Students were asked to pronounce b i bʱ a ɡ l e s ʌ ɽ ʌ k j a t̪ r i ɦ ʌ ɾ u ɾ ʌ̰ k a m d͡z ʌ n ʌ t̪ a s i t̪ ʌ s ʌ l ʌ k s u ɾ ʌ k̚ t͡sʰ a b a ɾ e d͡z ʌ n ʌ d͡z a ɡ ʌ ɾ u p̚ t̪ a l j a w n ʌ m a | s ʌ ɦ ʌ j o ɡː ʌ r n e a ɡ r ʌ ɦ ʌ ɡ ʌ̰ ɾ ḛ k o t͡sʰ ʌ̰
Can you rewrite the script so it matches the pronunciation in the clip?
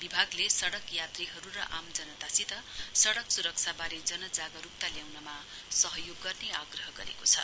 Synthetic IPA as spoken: b i bʱ a ɡ l e s ʌ ɽ ʌ k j a t̪ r i ɦ ʌ ɾ u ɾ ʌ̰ ʔ a m d͡z ʌ n ʌ t̪ a s i t̪ ʌ s ʌ ɽ ʌ k s u ɾ ʌ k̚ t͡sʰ a b a ɾ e d͡z ʌ n ʌ d͡z a ɡ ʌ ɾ u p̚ t̪ a l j a w n ʌ m a | s ʌ ɦ ʌ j o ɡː ʌ r n e a ɡ r ʌ ɦ ʌ ɡ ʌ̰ ɾ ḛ k o t͡sʰ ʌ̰